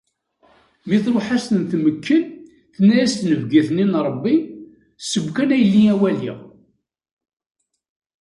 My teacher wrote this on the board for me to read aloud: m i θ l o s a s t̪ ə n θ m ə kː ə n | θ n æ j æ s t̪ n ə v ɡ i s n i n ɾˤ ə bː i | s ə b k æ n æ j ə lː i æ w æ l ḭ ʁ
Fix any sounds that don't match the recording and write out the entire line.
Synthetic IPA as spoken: m i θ ɾ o ħ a s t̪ ə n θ m ə kː ə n | θ n æ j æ s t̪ n ə v ɡ i θ n i n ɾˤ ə bː i | s ə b k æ n æ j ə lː i æ w æ l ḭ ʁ